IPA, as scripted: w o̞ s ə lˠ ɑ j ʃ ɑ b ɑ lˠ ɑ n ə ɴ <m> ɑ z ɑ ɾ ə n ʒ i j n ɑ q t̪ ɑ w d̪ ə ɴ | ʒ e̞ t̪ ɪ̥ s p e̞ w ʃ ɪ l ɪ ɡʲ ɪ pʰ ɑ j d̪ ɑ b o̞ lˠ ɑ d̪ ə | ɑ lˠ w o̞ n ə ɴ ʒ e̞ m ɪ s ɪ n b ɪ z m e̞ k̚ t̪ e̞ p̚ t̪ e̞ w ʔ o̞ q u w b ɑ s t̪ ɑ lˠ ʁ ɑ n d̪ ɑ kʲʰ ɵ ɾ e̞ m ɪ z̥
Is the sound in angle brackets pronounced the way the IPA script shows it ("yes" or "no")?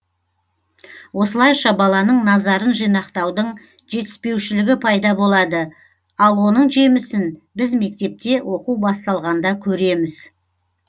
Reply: no